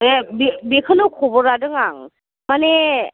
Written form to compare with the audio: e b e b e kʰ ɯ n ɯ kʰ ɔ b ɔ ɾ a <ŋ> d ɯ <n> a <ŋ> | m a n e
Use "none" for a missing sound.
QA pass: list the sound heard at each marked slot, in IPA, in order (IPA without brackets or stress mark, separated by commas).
none, ŋ, ŋ